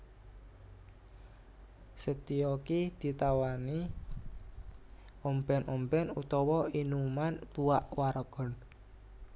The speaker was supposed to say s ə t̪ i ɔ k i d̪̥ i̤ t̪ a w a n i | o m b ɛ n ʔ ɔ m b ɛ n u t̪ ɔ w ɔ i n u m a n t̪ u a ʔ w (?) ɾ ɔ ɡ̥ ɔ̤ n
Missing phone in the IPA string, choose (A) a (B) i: A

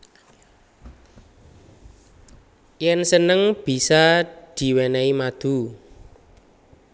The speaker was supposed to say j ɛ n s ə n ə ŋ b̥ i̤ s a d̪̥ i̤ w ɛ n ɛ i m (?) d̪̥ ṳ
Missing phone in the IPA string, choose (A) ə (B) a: B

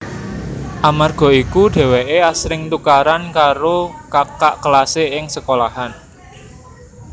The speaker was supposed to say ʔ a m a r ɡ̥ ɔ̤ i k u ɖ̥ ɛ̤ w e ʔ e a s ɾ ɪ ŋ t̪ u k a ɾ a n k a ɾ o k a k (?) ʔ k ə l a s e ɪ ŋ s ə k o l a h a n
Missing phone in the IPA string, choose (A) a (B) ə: A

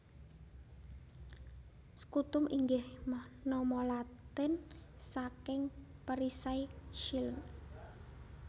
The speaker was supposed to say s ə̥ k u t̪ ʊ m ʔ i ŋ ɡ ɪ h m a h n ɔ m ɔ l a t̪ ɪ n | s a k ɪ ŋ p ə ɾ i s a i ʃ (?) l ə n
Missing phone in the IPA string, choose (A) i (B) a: A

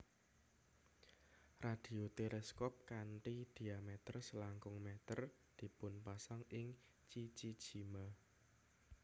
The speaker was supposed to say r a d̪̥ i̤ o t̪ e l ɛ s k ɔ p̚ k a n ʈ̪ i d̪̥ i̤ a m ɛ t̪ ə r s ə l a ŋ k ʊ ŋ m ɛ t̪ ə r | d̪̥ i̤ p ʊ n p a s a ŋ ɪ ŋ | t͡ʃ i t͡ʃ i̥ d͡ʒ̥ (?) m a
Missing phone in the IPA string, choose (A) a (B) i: B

